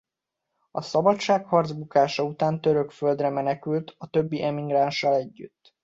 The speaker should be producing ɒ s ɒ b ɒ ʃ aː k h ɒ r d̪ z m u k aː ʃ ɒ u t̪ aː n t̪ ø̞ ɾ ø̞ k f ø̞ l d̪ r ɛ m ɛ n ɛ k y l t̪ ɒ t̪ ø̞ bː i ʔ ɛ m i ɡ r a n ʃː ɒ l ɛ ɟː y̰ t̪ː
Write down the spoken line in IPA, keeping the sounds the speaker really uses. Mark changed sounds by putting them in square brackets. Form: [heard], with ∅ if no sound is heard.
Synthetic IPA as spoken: ɒ s ɒ b ɒ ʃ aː k h ɒ r d̪ z [b] u k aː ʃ ɒ u t̪ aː n t̪ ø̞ ɾ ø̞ k f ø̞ l d̪ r ɛ m ɛ n ɛ k y l t̪ ɒ t̪ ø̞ bː i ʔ ɛ m i ɡ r a n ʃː ɒ l ɛ ɟː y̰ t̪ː